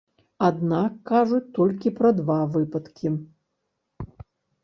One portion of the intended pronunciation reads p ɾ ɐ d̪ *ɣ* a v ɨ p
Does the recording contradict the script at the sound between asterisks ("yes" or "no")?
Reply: yes